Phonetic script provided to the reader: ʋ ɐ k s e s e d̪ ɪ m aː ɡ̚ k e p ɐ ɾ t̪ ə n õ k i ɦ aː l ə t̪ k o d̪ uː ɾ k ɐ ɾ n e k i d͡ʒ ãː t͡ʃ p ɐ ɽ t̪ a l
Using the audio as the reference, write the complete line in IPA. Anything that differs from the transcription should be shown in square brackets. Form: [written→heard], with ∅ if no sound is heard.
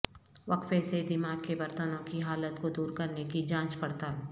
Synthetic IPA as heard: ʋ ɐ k [s→f] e s e d̪ ɪ m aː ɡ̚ k e [p→b] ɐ ɾ t̪ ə n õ k i ɦ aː l ə t̪ k o d̪ uː ɾ k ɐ ɾ n e k i d͡ʒ ãː t͡ʃ p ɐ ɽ t̪ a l